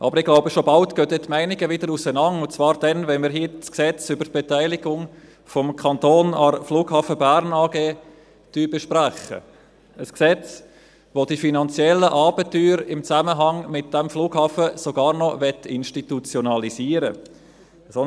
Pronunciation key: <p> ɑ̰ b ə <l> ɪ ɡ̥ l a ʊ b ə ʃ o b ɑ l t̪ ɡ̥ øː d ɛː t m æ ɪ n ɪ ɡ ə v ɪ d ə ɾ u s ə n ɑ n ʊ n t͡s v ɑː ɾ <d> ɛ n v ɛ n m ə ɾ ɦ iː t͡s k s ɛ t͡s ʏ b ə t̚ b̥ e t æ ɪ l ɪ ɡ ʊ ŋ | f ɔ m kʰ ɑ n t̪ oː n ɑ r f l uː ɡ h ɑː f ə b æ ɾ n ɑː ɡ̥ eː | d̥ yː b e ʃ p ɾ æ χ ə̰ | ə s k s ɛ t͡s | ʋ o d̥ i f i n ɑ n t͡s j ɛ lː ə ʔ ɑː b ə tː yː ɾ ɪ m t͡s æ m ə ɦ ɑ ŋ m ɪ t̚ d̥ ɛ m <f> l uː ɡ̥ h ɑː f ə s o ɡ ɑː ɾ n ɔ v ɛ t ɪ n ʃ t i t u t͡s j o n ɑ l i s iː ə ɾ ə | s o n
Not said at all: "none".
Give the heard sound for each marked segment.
ʔ, ɾ, d, f

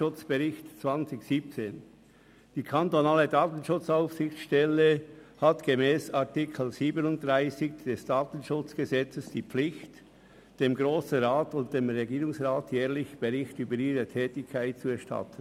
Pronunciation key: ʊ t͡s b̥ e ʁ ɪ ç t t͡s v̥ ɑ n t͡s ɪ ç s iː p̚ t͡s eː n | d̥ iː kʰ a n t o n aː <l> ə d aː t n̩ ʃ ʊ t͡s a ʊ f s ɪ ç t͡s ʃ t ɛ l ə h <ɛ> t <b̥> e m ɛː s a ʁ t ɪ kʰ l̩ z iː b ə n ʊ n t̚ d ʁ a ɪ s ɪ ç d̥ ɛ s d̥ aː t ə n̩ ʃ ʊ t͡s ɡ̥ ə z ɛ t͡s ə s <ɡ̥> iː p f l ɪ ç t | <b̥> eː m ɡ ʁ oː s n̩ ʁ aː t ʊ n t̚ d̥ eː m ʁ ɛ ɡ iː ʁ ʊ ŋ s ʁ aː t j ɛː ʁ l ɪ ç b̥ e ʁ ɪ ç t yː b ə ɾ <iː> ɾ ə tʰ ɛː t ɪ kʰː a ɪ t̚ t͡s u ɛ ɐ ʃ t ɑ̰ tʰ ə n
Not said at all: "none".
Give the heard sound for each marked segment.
l, a, ɡ̥, d̥, d̥, iː

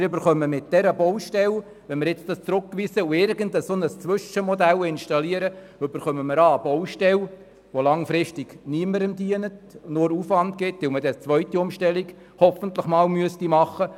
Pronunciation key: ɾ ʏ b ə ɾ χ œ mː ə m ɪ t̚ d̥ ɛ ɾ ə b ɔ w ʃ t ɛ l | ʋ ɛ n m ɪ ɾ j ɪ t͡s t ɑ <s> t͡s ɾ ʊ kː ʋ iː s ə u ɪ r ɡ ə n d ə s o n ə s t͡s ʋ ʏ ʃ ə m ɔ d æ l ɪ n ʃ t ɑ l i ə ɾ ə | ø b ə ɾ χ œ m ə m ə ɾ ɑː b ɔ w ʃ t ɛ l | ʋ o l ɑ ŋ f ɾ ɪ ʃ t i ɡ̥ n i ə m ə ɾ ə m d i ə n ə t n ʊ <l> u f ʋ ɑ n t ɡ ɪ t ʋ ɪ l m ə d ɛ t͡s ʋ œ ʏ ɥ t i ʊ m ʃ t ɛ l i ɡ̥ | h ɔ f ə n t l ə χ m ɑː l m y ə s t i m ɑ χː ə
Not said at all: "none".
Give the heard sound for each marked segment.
s, ɾ

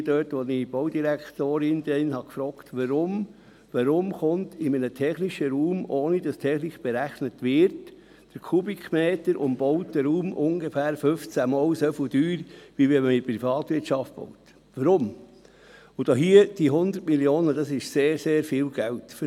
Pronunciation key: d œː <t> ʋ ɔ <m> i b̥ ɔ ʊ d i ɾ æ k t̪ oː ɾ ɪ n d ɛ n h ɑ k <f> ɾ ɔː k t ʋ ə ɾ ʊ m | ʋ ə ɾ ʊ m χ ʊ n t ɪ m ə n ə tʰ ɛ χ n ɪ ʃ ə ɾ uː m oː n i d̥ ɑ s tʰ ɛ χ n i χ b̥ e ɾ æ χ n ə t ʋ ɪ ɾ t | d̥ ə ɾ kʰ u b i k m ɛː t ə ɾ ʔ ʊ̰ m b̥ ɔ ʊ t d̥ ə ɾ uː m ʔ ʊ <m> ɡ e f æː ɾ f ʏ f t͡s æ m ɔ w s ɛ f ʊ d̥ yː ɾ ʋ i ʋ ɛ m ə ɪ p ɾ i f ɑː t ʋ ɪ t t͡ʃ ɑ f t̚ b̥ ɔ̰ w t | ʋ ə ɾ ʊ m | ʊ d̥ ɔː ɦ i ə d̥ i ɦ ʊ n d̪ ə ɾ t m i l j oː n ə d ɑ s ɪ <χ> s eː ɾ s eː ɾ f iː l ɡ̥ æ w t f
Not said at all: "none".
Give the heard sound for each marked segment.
t, n, f, ŋ, ʃ

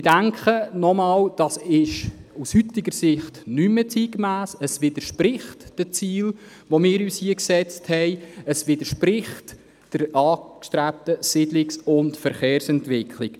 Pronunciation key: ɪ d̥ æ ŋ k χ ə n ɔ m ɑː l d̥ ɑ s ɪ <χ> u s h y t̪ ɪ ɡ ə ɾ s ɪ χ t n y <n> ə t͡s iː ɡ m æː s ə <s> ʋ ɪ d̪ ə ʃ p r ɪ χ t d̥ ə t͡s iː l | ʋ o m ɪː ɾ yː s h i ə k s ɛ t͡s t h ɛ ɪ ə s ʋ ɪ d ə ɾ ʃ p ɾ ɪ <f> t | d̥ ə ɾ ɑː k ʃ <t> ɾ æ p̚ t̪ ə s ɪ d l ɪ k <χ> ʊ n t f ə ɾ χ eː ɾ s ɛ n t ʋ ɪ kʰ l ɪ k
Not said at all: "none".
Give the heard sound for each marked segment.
ʃ, m, s, χ, t, s

